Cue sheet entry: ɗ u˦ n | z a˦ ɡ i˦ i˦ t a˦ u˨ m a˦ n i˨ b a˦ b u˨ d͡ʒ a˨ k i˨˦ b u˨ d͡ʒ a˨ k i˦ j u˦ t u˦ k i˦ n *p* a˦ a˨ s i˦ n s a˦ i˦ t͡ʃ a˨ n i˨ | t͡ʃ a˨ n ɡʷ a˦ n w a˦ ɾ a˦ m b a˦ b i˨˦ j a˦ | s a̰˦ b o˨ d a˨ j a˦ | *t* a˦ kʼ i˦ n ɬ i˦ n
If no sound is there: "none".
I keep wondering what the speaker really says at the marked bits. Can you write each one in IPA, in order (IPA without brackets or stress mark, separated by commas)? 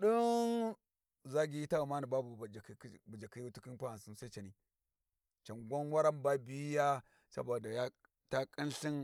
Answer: p, t